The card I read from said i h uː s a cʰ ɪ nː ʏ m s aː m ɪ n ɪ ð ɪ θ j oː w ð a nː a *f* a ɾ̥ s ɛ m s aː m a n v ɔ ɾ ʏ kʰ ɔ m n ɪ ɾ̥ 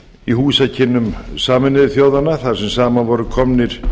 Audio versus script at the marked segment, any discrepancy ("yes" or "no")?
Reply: yes